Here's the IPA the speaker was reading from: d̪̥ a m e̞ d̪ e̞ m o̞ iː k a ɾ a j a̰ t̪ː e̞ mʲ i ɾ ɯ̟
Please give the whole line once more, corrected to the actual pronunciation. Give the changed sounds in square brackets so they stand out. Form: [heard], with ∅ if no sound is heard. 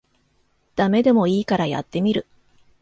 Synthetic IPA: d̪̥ a m e̞ d̪ e̞ m o̞ iː k a ɾ a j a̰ t̪ː e̞ mʲ i ɾ ɯ̟